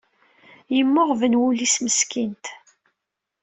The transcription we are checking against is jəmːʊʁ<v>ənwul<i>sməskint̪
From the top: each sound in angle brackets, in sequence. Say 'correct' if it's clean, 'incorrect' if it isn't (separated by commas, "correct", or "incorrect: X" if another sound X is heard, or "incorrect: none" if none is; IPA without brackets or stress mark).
correct, correct